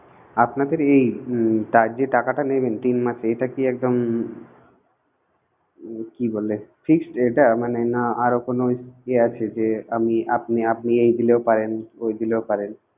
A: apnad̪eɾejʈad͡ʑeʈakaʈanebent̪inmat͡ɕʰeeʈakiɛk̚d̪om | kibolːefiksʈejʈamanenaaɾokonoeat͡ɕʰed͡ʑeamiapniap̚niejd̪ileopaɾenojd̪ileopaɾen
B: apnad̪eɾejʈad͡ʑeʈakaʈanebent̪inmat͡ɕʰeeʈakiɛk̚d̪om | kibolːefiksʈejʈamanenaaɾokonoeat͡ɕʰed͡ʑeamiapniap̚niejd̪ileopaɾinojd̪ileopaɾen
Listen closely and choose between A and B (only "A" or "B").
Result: A